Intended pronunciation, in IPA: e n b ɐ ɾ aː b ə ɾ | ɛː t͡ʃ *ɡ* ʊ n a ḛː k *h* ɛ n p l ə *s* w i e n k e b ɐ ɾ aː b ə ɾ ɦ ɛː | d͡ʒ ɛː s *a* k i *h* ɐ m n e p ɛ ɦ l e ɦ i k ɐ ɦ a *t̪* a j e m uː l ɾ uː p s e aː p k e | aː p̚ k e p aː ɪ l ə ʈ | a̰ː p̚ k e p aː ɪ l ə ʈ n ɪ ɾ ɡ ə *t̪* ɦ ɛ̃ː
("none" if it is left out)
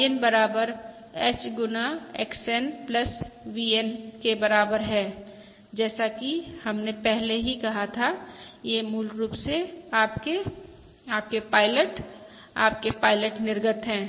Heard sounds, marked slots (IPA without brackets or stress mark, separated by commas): ɡ, s, s, a, h, t̪ʰ, t̪